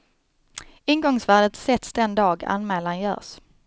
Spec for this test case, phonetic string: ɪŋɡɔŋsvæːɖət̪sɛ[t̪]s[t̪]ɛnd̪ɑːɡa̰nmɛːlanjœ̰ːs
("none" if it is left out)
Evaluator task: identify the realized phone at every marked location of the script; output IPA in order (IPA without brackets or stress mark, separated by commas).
t̪, d̪